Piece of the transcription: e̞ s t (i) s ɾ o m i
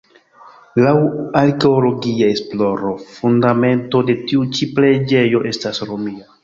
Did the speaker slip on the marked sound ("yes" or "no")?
yes